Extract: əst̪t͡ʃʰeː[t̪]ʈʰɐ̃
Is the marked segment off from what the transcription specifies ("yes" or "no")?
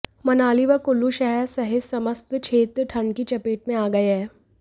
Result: no